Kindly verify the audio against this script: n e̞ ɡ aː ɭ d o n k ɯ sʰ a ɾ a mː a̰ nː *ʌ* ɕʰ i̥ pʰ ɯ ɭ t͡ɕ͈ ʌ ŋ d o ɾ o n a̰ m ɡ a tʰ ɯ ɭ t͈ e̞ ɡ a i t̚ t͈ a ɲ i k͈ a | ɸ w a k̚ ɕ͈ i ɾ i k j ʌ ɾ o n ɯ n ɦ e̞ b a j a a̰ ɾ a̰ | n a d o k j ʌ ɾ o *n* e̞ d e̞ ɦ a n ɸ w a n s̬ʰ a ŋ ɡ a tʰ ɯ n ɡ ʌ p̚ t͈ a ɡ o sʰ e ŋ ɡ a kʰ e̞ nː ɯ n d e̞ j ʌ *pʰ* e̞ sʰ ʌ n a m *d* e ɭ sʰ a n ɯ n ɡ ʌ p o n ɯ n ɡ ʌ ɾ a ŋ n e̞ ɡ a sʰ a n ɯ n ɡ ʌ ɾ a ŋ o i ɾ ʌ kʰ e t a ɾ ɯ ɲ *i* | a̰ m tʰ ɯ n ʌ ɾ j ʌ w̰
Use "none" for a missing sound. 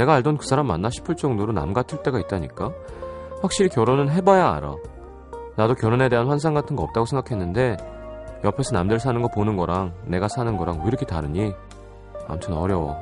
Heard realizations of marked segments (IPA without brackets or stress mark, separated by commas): a, n, pʰ, d, i